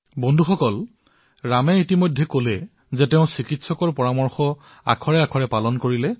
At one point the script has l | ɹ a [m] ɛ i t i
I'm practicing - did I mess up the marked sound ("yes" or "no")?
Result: no